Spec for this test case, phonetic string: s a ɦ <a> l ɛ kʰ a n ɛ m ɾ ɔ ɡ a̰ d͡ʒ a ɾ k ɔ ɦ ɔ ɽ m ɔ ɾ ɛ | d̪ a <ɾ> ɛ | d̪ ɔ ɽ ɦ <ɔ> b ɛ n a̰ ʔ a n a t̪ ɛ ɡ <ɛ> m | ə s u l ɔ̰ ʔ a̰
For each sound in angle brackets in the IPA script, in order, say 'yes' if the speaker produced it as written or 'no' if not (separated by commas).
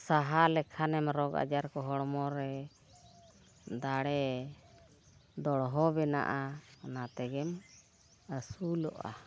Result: yes, no, yes, yes